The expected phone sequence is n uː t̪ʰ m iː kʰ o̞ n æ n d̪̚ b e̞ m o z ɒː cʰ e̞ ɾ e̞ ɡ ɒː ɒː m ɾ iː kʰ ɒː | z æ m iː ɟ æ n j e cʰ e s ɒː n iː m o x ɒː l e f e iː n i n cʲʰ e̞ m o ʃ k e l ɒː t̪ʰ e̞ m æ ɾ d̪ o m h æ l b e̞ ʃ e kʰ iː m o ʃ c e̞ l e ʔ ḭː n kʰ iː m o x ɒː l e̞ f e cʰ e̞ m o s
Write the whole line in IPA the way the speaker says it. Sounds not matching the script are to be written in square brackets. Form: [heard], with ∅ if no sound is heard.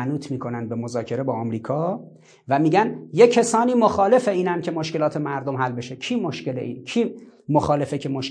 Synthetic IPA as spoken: n uː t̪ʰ m iː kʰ o̞ n æ n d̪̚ b e̞ m o z ɒː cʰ e̞ ɾ e̞ [b] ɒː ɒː m ɾ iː kʰ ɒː | [v] æ m iː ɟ æ n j e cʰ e s ɒː n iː m o x ɒː l e f e iː n [æ] n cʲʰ e̞ m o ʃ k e l ɒː t̪ʰ e̞ m æ ɾ d̪ o m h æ l b e̞ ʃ e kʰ iː m o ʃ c e̞ l e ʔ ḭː n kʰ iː m o x ɒː l e̞ f e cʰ e̞ m o [ʃ]